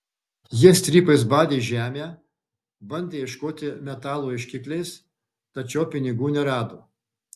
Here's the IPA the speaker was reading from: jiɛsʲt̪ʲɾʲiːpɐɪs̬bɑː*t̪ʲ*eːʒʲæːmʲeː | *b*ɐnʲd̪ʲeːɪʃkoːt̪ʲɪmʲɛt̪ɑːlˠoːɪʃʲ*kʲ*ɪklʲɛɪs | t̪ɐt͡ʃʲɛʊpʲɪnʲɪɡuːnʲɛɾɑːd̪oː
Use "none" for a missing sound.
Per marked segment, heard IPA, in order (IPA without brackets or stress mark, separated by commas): d̪ʲ, b, kʲ